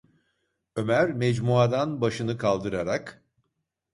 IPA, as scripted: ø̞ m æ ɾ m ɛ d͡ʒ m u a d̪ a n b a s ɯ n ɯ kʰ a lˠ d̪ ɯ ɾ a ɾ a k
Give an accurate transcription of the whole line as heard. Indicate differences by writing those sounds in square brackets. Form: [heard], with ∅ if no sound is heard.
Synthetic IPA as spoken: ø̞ m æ ɾ m ɛ d͡ʒ m u a d̪ a n b a [ʃ] ɯ n ɯ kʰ a lˠ d̪ ɯ ɾ a ɾ a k